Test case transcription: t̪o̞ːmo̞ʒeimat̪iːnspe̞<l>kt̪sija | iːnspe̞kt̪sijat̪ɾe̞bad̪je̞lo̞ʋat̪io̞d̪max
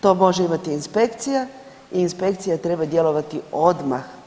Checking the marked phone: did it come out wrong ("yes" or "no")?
yes